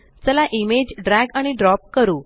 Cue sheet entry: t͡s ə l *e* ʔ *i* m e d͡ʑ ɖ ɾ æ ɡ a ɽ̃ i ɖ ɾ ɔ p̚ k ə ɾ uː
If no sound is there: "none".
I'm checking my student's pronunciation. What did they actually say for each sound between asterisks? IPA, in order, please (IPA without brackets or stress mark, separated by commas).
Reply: a, i